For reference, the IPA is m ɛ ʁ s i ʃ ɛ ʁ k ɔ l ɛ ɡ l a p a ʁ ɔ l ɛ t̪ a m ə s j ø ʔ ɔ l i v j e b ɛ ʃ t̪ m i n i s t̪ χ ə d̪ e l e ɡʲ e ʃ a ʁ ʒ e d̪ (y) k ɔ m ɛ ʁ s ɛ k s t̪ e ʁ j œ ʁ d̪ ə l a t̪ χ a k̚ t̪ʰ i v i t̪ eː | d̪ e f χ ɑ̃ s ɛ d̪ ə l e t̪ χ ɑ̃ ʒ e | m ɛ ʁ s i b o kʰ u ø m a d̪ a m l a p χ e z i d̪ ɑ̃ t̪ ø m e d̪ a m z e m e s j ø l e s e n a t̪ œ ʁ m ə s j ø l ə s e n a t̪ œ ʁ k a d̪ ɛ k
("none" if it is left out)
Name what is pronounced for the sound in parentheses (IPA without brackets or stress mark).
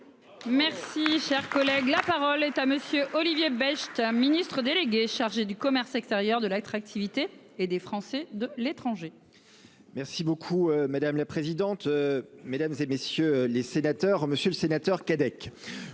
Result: y